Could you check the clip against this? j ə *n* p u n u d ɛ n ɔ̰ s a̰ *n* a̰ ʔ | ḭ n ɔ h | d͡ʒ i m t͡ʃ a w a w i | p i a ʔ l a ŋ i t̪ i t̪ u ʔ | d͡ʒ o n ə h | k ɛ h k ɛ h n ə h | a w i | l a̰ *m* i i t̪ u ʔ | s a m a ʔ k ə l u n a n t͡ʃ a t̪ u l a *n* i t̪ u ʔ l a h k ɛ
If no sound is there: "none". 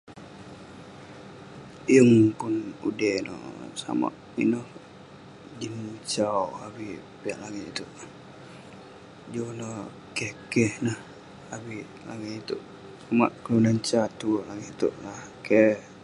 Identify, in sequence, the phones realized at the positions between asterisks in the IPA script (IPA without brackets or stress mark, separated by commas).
ŋ, m, ŋ, ŋ